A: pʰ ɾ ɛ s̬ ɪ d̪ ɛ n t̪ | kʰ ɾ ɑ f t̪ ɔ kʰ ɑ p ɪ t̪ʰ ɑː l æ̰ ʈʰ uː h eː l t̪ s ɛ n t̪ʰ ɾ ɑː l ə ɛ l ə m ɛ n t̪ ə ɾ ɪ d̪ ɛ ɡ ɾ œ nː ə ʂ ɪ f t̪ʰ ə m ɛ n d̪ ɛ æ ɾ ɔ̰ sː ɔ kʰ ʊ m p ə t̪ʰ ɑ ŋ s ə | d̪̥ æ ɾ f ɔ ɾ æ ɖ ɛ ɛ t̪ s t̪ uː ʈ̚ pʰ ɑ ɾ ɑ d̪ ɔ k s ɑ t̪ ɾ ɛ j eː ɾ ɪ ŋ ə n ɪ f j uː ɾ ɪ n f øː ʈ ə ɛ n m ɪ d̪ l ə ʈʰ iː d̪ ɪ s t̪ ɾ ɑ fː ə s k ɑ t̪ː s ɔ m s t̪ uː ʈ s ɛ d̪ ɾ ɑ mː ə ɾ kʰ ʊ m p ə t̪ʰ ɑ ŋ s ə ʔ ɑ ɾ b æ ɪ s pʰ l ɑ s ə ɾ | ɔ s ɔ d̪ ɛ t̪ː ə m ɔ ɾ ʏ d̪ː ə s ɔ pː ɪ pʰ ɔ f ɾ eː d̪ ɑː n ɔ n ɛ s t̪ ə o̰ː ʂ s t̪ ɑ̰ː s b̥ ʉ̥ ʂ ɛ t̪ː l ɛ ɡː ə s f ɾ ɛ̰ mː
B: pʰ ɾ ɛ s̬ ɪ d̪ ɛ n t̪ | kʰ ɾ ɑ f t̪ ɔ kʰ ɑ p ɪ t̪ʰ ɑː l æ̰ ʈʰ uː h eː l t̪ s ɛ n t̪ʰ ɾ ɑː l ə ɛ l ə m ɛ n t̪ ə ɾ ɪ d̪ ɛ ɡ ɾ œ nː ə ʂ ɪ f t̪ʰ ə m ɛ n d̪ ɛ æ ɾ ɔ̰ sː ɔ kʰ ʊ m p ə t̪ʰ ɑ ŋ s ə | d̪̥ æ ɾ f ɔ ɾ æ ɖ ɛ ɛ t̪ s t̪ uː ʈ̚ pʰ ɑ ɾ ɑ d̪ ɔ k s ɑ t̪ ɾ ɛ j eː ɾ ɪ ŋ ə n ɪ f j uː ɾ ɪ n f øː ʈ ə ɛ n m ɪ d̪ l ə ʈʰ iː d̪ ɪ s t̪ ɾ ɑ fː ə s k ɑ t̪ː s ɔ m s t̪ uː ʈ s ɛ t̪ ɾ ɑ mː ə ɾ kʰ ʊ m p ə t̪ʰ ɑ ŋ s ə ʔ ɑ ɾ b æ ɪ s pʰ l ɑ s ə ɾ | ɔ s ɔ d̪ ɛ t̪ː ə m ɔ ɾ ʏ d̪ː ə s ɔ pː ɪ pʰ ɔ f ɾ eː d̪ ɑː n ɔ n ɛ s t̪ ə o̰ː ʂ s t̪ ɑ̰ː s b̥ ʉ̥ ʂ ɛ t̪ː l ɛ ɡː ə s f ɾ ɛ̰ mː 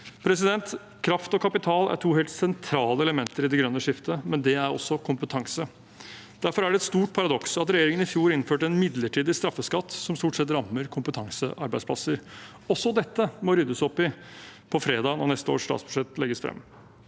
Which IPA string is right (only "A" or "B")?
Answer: B